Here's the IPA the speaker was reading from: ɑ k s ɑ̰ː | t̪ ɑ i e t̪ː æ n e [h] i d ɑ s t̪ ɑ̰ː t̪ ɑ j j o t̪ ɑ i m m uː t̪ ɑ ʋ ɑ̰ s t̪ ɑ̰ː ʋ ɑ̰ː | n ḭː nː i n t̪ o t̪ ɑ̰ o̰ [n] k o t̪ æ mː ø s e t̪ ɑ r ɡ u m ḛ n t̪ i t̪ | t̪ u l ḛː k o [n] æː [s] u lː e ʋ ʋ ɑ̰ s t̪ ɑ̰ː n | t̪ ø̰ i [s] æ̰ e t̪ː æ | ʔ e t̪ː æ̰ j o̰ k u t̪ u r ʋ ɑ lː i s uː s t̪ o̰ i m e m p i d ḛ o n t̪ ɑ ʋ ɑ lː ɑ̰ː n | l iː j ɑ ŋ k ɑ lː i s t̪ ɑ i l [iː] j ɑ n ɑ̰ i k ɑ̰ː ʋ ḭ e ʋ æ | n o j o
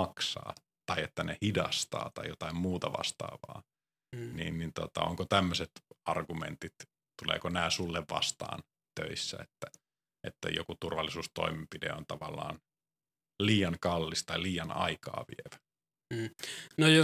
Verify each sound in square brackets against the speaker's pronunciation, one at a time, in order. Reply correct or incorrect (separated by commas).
correct, incorrect, correct, correct, incorrect, correct